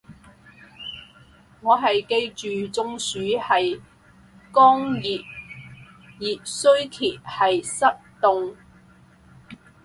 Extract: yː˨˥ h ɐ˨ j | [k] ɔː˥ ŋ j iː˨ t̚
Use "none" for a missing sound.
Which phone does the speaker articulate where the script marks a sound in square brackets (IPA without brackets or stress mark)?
k